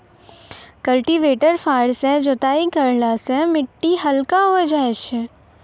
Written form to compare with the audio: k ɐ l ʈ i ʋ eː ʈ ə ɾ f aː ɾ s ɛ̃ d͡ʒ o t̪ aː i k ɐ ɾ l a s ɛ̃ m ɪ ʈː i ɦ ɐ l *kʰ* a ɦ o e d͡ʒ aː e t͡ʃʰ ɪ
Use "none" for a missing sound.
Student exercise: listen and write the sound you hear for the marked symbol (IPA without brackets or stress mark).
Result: k